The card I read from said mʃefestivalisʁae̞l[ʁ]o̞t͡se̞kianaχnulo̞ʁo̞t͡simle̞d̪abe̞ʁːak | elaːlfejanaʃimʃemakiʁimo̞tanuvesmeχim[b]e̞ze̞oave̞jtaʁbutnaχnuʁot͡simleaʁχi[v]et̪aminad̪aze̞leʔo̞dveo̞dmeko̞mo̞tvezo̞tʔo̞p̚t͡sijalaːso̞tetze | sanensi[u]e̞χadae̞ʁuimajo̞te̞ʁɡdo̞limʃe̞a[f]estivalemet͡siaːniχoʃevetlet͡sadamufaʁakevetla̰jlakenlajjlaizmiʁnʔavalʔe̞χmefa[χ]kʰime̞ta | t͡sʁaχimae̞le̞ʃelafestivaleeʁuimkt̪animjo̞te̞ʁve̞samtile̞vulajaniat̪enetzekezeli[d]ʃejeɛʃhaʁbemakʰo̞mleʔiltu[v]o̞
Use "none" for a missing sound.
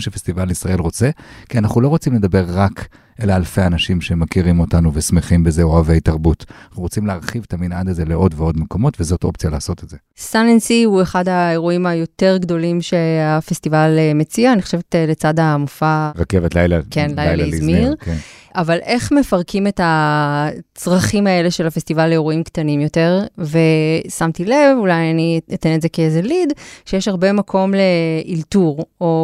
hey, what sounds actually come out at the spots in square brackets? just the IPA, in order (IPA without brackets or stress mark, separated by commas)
ʁ, b, v, u, f, ʁ, d, ʁ